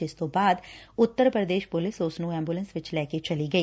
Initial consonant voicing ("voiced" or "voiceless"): voiceless